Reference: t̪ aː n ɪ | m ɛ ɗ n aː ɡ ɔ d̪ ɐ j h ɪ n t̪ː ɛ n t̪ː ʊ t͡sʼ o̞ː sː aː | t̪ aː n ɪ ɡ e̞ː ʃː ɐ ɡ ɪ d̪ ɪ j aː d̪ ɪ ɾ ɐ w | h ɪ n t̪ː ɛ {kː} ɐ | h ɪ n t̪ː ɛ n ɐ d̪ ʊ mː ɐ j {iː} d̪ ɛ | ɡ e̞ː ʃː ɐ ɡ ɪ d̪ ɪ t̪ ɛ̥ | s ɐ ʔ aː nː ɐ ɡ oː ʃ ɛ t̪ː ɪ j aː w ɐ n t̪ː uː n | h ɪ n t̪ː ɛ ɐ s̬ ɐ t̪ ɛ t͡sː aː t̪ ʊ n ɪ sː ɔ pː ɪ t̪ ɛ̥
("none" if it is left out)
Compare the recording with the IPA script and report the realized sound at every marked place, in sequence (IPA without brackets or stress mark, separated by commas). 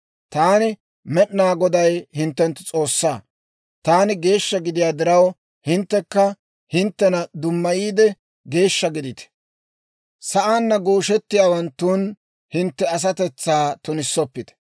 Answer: kː, iː